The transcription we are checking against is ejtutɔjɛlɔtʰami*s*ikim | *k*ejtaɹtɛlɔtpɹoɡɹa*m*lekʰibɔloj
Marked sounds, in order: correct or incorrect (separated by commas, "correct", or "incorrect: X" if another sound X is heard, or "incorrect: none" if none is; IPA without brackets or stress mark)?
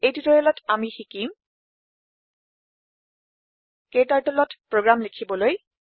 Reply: incorrect: x, correct, correct